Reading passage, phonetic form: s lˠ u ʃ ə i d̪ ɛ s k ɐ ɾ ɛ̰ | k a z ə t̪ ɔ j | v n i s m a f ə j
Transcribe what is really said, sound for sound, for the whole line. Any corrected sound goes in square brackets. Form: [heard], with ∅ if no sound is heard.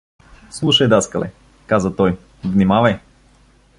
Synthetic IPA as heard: s lˠ u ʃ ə [j] d̪ [a] s k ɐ [l] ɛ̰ | k a z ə t̪ ɔ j | v n i [∅] m a [v] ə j